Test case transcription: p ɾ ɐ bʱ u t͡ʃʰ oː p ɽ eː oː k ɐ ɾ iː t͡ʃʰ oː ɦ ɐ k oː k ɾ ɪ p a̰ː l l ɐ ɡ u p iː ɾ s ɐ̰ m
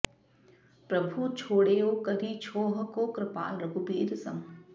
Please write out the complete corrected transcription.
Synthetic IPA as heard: p ɾ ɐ bʱ u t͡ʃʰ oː ɽ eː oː k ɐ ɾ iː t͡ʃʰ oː ɦ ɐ k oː k ɾ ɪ p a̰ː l ɾ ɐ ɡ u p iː ɾ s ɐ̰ m